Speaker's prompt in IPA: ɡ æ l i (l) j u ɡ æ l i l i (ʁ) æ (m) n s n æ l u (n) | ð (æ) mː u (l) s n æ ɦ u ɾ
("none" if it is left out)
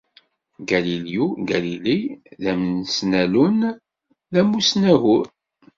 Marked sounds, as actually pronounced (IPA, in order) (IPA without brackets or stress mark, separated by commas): l, ð, m, n, æ, none